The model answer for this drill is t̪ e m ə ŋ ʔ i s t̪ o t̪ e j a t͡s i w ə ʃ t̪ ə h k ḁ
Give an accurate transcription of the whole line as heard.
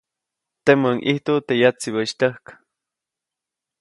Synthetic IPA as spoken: t̪ e m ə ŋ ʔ i h t̪ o t̪ e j a t͡s i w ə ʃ t̪ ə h k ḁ